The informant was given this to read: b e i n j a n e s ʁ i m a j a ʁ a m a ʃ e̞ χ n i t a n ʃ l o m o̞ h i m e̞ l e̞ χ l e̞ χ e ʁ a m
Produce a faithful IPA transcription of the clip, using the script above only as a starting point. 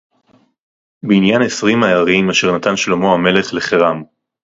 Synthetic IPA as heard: b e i n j a n e s ʁ i m a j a ʁ i m a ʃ e̞ ʁ n a t a n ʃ l o m o̞ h a m e̞ l e̞ χ l e̞ χ e ʁ a m